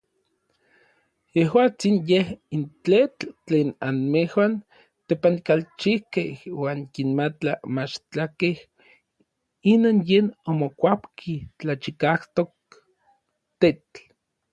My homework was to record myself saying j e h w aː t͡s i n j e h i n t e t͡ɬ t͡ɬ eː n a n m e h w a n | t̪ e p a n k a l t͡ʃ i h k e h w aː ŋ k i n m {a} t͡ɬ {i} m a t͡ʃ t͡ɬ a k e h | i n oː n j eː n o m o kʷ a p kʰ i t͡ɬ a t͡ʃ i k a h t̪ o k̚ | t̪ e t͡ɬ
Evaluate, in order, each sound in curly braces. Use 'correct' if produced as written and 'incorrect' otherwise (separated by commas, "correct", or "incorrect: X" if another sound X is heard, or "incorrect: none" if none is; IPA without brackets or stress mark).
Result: correct, incorrect: a